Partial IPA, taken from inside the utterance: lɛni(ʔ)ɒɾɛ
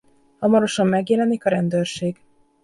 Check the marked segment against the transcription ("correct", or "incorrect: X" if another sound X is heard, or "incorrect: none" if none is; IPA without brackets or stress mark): incorrect: k